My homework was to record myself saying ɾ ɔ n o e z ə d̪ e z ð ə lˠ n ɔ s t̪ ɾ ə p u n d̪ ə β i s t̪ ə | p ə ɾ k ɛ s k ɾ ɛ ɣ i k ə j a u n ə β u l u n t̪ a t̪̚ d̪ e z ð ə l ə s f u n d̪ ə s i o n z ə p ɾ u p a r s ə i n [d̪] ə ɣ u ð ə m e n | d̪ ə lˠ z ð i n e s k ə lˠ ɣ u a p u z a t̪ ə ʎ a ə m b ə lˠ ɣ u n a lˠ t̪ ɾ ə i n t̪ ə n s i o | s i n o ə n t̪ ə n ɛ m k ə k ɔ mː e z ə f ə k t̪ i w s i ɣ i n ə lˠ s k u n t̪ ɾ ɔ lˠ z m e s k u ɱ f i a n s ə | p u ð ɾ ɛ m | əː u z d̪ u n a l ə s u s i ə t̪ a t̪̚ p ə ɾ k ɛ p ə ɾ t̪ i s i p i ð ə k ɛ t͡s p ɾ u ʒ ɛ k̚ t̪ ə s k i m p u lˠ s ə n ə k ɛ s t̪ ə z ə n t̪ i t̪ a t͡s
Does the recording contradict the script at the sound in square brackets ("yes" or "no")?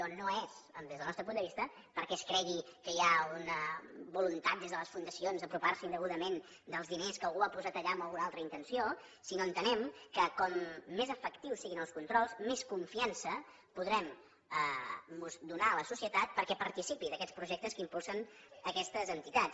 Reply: no